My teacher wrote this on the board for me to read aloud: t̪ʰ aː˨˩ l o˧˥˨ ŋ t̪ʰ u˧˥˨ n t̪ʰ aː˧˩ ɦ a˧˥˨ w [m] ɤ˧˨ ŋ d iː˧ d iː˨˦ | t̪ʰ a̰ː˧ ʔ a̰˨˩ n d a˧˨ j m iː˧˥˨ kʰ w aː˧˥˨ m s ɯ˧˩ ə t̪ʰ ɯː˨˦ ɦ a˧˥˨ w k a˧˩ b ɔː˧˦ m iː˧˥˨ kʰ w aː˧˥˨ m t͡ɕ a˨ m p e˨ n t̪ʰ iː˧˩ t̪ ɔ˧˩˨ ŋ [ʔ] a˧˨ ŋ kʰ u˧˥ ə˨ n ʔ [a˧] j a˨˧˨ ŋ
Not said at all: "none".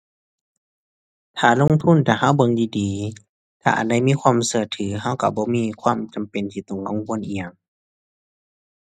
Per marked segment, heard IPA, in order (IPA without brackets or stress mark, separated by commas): b, k, i˧